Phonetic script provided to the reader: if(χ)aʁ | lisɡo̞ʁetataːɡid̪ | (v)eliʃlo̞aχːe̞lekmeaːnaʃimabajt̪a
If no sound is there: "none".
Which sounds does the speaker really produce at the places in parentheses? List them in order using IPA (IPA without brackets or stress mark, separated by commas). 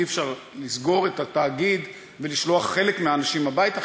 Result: ʃ, v